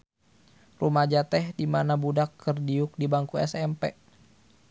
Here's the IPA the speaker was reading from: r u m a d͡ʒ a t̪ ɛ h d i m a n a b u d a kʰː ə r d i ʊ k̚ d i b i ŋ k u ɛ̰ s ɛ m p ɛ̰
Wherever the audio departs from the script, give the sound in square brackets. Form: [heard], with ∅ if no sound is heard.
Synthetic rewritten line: r u m a d͡ʒ a t̪ ɛ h d i m a n a b u d a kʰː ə r d i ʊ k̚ d i b [a] ŋ k u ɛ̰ s ɛ m p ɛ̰